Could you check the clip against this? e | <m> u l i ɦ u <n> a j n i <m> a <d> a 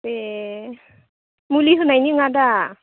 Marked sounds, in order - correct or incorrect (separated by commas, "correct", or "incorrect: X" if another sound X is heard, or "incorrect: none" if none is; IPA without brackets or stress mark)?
correct, correct, incorrect: ŋ, correct